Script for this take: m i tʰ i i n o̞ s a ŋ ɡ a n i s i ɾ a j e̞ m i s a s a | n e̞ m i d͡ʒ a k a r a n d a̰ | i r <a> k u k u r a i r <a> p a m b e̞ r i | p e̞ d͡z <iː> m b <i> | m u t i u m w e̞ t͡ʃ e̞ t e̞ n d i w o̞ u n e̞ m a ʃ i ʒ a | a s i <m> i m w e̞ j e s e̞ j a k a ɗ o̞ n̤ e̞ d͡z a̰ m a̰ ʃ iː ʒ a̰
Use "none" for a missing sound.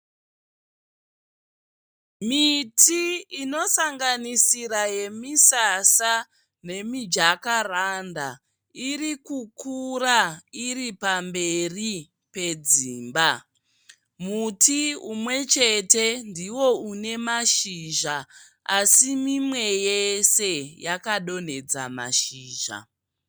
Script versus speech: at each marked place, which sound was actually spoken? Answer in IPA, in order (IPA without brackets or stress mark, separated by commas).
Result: i, i, iː, a, m